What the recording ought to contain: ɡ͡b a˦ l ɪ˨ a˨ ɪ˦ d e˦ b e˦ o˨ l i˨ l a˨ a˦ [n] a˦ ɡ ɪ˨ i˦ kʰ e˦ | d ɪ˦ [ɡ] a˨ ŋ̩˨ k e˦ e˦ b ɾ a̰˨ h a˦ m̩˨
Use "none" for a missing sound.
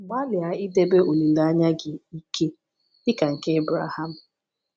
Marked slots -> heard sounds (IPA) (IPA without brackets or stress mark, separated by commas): ɲ, k